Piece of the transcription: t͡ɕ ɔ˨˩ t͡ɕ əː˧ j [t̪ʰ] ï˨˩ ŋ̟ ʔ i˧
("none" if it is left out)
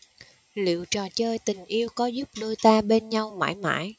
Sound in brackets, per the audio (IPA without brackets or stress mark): t̪